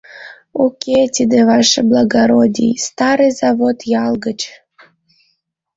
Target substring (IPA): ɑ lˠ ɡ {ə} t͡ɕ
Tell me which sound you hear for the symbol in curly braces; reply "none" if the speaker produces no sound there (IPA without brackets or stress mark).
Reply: ə